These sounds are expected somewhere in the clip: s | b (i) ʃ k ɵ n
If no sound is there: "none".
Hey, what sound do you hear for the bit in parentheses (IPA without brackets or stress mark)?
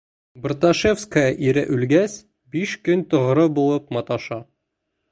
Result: i